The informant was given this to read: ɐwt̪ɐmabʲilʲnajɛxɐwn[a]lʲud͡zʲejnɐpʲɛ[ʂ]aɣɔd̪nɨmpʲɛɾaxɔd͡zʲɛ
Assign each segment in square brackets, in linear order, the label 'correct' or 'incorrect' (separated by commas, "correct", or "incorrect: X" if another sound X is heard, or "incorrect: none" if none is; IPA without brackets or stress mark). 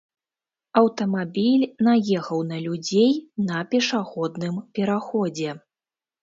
incorrect: ɐ, correct